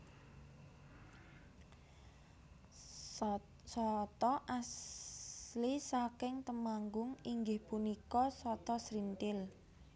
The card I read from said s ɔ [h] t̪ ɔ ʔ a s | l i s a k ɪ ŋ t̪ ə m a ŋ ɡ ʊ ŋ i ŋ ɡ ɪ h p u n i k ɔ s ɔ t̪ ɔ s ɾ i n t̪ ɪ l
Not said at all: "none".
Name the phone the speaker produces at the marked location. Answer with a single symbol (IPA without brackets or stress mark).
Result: none